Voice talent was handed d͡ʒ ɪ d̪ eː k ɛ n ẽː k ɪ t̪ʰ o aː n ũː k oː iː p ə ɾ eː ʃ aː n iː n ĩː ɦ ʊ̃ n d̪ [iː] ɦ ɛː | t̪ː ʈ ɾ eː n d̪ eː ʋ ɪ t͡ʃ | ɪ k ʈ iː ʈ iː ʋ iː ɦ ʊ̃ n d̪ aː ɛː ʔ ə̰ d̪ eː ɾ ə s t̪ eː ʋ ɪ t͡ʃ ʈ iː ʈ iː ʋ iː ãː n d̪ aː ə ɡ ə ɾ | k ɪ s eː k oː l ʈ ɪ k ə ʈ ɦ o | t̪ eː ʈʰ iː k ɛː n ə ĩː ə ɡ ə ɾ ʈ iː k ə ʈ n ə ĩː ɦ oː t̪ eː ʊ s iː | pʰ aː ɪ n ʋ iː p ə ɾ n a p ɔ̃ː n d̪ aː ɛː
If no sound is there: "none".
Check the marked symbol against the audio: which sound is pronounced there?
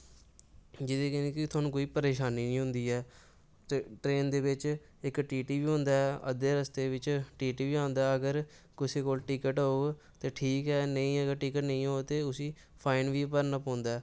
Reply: iː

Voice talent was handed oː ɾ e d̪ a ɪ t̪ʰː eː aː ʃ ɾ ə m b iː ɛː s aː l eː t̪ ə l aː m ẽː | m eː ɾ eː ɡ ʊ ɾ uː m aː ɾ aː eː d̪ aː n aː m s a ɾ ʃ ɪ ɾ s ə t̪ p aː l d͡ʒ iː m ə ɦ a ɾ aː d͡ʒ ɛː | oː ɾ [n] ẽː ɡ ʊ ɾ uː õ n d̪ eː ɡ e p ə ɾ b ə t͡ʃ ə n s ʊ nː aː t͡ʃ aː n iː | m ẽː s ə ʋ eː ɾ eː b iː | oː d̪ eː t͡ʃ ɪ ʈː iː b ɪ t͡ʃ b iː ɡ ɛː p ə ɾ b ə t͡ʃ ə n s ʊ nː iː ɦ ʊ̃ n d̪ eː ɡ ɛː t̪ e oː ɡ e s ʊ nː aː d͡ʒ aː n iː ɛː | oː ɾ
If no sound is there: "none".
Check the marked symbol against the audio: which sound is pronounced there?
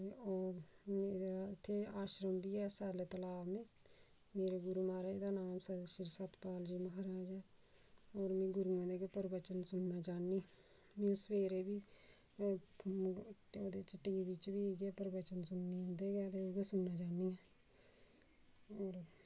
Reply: m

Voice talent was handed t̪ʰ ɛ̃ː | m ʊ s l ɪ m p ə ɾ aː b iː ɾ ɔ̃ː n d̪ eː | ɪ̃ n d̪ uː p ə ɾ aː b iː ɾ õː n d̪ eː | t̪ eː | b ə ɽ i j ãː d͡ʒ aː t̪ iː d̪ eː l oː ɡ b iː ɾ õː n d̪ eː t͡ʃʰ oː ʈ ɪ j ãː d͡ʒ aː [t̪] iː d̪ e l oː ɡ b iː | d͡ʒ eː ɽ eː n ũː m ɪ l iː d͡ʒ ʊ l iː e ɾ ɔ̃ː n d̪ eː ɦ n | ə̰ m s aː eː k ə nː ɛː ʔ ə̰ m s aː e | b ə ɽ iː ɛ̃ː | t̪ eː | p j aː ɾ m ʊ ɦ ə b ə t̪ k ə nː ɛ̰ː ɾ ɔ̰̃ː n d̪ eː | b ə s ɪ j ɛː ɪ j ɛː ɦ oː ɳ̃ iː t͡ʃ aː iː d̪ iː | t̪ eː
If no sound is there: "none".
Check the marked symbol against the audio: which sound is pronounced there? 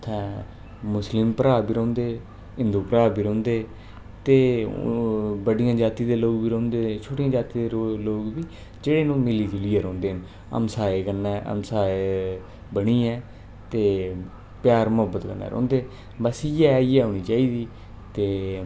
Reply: t̪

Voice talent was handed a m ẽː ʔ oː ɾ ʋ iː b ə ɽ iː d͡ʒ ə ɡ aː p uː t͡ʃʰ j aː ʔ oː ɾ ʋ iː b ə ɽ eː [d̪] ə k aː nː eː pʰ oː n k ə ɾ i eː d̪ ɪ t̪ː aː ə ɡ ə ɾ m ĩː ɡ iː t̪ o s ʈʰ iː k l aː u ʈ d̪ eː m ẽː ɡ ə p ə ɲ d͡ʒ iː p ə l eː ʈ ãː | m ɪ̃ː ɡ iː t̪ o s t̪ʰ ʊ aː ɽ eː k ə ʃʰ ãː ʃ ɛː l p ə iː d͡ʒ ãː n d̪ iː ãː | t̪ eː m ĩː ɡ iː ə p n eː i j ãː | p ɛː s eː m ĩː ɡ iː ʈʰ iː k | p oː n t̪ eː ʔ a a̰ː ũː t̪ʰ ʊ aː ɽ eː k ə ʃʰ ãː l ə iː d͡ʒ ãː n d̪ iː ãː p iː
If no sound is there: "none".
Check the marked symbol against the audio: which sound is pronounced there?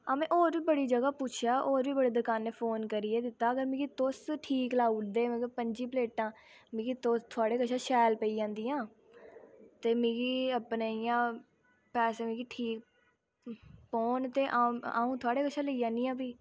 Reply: d̪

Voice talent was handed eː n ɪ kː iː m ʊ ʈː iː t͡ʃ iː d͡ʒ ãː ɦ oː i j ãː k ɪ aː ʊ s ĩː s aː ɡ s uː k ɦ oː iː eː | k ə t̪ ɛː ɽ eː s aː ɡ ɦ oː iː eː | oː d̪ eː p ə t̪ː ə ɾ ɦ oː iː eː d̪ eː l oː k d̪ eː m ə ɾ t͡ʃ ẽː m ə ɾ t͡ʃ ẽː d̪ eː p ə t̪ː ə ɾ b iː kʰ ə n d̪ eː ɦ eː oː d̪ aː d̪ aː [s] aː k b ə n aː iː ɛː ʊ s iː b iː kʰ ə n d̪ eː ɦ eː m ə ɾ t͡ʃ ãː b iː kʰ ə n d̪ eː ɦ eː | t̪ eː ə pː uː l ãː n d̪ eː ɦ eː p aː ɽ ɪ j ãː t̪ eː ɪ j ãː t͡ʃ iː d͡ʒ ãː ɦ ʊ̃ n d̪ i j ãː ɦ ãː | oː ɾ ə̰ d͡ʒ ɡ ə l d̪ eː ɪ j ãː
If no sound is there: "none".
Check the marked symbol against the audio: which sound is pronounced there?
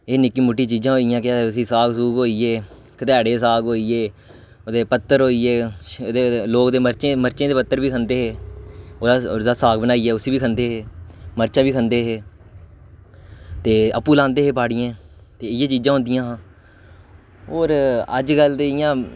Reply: s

